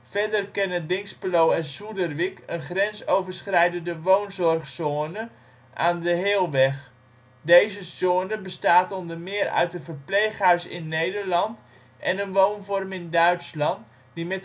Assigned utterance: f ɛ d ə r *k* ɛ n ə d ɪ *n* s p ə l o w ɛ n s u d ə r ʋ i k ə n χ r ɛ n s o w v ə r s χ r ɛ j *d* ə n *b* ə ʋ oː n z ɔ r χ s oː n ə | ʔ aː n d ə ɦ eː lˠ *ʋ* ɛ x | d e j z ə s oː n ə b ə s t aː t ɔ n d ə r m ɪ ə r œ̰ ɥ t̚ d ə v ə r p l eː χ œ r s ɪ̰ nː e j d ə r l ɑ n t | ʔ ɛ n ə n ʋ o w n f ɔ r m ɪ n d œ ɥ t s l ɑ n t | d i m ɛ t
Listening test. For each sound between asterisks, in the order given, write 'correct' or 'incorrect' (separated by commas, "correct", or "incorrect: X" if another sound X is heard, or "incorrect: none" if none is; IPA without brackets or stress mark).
correct, incorrect: ŋ, correct, incorrect: d, correct